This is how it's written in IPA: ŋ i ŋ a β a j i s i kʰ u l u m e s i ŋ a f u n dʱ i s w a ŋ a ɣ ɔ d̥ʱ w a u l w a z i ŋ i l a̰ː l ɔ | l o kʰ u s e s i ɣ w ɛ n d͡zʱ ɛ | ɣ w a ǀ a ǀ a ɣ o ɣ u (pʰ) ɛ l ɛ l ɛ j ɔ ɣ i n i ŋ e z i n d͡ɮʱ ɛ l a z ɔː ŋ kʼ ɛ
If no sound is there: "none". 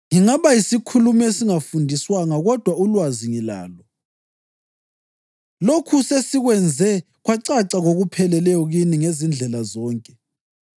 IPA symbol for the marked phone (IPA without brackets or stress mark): pʰ